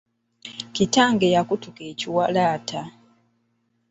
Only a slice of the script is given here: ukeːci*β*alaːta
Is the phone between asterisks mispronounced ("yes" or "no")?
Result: yes